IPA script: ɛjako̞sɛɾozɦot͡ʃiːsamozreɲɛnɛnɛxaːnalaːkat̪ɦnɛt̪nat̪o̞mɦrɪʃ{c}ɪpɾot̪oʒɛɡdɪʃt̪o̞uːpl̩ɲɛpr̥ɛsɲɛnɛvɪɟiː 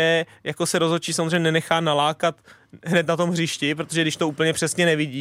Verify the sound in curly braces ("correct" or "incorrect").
correct